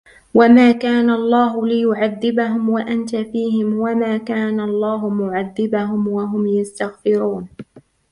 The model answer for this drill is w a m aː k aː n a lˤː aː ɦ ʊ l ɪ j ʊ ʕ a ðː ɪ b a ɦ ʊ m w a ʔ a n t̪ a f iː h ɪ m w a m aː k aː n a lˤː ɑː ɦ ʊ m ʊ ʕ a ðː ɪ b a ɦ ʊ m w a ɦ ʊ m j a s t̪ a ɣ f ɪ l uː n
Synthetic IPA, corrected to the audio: w a m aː k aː n a lˤː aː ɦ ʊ l ɪ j ʊ ʕ a ðː ɪ b a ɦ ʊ m w a ʔ a n t̪ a f iː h ɪ m w a m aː k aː n a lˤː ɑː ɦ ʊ m ʊ ʕ a ðː ɪ b a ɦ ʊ m w a ɦ ʊ m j a s t̪ a ɣ f ɪ ɾ uː n